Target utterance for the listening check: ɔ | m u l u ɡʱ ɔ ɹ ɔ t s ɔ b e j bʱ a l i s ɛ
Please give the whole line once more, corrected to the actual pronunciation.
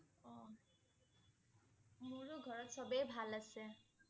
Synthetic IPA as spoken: ɔ | m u ɹ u ɡʱ ɔ ɹ ɔ t s ɔ b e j bʱ a l a s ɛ